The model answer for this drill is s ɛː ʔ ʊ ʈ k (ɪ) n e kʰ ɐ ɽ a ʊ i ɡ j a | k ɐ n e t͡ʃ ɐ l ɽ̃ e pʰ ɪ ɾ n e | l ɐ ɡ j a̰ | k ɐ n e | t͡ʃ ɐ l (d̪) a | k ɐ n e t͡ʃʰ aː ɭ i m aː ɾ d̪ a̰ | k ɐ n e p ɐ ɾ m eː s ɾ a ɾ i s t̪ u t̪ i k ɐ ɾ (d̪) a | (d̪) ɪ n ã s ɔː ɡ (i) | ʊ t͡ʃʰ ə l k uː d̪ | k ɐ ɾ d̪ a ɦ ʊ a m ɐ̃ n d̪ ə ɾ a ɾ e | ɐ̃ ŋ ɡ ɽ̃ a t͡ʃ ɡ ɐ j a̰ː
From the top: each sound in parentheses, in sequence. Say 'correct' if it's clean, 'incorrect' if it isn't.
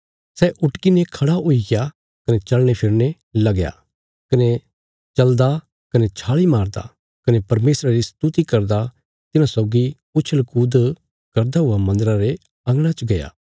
incorrect, correct, correct, incorrect, correct

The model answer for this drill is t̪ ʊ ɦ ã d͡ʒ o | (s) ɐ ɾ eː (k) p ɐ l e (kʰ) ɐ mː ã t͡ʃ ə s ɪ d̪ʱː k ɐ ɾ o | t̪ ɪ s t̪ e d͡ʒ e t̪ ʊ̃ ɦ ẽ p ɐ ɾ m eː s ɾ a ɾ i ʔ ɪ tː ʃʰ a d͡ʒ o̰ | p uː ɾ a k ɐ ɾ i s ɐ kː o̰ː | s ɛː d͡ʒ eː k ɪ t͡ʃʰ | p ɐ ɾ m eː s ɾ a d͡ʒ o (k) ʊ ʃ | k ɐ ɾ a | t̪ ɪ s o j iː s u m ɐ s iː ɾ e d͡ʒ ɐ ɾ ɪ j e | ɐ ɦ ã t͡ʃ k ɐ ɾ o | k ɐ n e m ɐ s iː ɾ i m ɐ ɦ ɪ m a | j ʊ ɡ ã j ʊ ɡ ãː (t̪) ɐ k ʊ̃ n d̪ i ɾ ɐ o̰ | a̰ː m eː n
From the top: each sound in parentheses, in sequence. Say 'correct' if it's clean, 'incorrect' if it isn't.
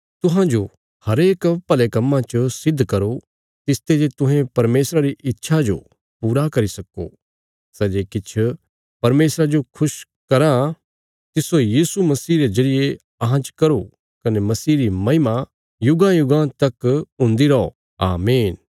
incorrect, correct, incorrect, incorrect, correct

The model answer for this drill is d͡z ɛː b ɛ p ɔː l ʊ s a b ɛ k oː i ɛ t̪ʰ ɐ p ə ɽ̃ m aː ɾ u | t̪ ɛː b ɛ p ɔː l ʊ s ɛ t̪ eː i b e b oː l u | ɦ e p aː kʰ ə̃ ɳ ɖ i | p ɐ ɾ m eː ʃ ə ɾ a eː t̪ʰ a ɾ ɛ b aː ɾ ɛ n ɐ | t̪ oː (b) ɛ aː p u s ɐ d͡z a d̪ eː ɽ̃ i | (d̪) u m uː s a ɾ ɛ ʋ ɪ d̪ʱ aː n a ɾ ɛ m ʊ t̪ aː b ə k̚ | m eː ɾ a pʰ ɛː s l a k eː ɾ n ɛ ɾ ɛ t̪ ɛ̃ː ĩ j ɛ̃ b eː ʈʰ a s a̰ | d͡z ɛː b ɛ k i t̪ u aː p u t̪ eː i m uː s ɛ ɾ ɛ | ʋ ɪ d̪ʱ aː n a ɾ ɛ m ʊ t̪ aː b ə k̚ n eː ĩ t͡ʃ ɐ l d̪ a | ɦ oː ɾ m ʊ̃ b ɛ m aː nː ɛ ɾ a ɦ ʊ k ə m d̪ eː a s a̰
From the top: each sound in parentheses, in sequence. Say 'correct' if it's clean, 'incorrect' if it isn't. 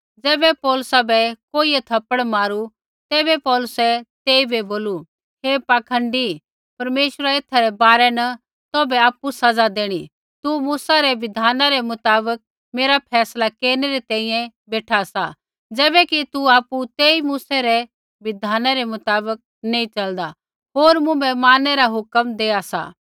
correct, incorrect

